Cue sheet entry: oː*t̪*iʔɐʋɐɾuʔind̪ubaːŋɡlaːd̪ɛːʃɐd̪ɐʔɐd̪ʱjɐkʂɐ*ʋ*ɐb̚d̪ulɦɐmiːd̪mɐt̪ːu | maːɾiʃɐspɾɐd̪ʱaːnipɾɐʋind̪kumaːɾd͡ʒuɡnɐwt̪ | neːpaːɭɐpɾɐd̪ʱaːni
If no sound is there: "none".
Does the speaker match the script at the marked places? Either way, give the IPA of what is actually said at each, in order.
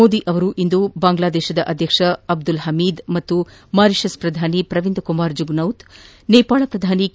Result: d̪, none

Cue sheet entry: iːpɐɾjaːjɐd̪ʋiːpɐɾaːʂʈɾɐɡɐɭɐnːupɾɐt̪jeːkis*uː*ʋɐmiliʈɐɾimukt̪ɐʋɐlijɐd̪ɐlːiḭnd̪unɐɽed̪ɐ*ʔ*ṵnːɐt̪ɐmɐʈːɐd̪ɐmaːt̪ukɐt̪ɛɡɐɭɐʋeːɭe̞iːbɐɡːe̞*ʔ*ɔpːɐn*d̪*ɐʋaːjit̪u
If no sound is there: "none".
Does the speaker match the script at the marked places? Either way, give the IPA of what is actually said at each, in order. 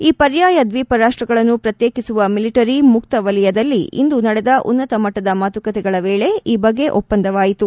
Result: u, ʔ, ʔ, d̪

